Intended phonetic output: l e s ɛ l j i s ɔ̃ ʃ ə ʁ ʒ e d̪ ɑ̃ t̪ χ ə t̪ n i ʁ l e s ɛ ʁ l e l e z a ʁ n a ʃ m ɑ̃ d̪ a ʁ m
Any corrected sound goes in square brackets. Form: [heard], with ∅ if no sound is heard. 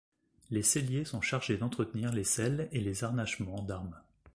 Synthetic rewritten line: l e s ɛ l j [e] s ɔ̃ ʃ [a] ʁ ʒ e d̪ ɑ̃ t̪ χ ə t̪ n i ʁ l e s ɛ [∅] l e l e z a ʁ n a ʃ m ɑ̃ d̪ a ʁ m